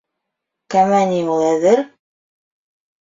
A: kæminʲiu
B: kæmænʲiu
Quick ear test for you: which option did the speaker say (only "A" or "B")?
B